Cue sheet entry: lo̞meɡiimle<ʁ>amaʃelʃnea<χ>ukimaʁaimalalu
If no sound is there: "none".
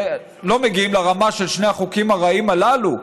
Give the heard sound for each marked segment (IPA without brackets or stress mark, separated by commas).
ʁ, χ